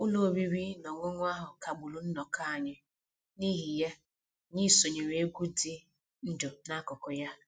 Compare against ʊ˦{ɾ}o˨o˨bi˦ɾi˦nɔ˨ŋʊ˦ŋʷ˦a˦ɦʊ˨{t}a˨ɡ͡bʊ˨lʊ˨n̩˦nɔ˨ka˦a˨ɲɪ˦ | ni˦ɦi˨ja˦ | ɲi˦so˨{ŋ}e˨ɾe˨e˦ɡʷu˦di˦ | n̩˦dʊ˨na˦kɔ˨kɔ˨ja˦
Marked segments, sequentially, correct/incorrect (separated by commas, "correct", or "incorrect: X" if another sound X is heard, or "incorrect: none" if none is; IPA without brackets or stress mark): incorrect: l, incorrect: k, incorrect: ɲ